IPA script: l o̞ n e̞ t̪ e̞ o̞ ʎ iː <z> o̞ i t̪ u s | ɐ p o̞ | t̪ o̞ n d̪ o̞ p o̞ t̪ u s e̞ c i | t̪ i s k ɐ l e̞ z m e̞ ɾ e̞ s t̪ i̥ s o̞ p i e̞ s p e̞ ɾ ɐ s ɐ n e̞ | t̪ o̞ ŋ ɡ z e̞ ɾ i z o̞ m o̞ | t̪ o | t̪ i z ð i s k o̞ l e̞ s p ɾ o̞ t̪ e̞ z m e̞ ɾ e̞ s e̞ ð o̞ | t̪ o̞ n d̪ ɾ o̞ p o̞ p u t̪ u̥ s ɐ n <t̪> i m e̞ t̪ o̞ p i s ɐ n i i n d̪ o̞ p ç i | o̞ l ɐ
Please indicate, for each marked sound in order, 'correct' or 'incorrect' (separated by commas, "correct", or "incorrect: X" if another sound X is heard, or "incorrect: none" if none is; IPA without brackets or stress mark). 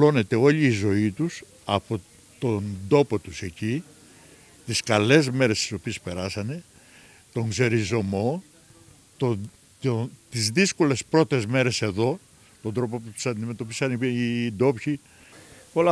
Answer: correct, incorrect: d̪